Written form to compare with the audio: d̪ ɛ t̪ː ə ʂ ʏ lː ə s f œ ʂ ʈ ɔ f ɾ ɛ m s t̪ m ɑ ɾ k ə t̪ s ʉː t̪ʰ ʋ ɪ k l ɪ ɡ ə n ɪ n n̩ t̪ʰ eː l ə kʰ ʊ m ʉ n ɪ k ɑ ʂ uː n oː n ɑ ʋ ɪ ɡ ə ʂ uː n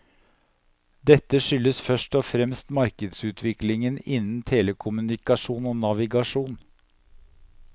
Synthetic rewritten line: d̪ ɛ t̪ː ə ʂ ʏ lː ə s f œ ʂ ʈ ɔ f ɾ ɛ m s t̪ m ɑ ɾ k ə d̪ s ʉː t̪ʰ ʋ ɪ k l ɪ ŋ ə n ɪ n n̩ t̪ʰ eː l ə kʰ ʊ m ʉ n ɪ k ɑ ʂ uː n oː n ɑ ʋ ɪ ɡ ɑ ʂ uː n